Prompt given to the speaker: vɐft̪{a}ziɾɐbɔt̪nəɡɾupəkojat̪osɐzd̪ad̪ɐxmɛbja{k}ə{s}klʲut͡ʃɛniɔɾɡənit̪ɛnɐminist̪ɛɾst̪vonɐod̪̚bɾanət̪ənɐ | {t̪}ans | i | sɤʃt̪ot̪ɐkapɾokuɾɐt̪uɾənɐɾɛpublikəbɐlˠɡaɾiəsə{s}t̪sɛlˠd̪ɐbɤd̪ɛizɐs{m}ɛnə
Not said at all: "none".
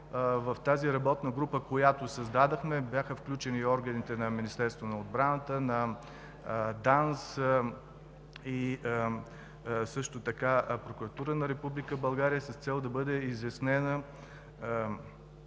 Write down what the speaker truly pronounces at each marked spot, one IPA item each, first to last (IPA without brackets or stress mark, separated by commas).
a, x, f, d̪, s, n